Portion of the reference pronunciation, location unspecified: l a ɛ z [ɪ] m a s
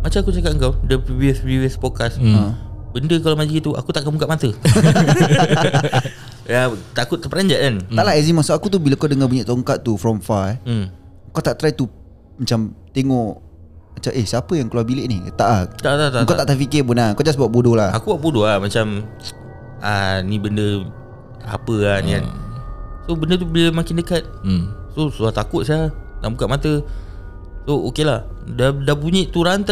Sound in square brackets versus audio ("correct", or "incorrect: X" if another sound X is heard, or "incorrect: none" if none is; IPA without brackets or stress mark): incorrect: i